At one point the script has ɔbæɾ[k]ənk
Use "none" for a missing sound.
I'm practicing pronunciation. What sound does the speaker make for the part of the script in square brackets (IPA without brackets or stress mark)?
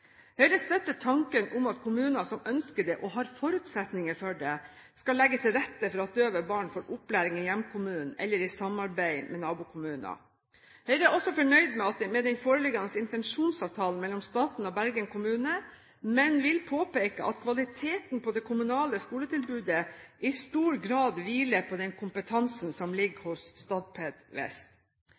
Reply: ɡ